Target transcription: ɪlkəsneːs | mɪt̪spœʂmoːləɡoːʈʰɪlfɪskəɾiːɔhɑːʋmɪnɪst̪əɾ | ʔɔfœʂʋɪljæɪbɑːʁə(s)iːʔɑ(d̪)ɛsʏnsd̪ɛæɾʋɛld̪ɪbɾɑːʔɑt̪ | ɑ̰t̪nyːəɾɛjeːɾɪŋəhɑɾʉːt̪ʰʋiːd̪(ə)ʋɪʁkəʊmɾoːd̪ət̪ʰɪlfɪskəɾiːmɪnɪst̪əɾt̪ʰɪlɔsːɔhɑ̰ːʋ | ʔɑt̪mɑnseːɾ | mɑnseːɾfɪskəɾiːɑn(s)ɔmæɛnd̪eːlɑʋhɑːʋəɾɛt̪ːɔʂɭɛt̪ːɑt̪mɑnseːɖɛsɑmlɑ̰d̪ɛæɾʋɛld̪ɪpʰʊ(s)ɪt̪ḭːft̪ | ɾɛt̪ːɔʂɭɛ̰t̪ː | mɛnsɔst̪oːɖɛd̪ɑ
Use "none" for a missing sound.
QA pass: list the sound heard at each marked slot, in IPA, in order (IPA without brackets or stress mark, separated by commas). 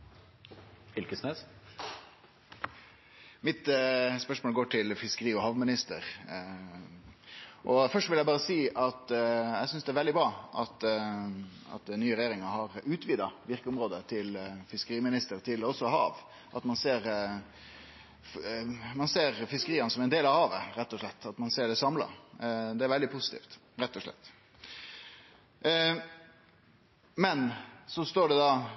s, t̪, ɑ, s, s